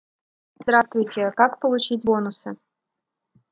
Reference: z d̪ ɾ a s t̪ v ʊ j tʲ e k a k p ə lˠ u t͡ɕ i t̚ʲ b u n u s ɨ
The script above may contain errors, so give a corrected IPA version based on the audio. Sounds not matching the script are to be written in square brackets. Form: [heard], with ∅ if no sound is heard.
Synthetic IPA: z d̪ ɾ a s t̪ v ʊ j tʲ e k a k p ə lˠ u t͡ɕ i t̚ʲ b [o] n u s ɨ